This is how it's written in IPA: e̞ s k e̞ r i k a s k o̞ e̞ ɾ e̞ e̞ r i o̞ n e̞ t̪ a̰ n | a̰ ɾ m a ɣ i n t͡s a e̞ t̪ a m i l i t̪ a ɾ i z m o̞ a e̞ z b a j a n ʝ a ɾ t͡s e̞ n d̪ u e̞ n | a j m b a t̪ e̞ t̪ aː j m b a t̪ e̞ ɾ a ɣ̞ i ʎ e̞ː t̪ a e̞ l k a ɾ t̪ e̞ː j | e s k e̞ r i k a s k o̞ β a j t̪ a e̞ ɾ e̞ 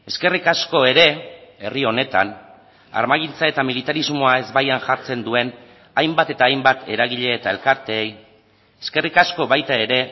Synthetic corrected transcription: e̞ s k e̞ r i k a s k o̞ e̞ ɾ e̞ e̞ r i o̞ n e̞ t̪ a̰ n | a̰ ɾ m a ɣ i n t͡s a e̞ t̪ a m i l i t̪ a ɾ i z m o̞ a e̞ z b a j a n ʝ a ɾ t͡s e̞ n d̪ u e̞ n | a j m b a t̪ e̞ t̪ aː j m b a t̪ e̞ ɾ a ɣ̞ i ʎ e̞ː t̪ a e̞ l k a ɾ t̪ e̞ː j | e s k e̞ r i k a s k o̞ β a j t̪ a e̞ ɾ e̞